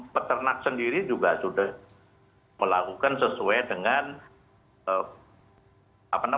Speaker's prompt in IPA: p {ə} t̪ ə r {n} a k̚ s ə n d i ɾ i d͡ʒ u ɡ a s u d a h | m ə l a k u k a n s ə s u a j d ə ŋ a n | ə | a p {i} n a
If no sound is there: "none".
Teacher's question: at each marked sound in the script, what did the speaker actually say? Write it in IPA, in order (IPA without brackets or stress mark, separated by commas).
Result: ə, n, a